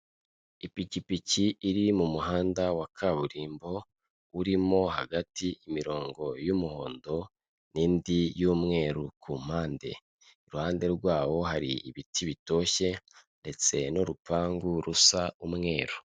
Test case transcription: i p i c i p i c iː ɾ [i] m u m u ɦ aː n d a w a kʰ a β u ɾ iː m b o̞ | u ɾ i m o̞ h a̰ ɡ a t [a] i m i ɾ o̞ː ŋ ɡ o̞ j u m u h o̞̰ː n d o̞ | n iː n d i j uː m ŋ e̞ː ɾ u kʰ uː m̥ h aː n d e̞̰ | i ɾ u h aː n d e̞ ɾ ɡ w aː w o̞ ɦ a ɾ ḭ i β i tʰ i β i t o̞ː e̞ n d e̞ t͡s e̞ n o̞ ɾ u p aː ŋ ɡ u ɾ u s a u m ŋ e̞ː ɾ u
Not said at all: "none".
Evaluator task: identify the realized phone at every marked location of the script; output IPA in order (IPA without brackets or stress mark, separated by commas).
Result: i, i